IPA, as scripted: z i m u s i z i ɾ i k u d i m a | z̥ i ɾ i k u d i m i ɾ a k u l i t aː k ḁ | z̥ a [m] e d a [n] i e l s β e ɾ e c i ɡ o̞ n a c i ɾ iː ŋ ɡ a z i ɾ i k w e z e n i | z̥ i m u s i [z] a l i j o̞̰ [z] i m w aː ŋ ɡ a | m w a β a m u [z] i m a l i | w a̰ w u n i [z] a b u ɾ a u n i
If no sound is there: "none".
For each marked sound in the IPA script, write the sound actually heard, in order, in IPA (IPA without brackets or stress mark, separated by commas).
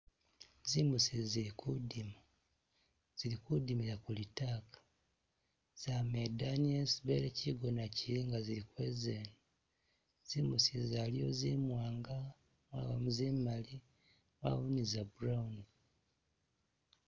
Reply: m, n, z, z, z, z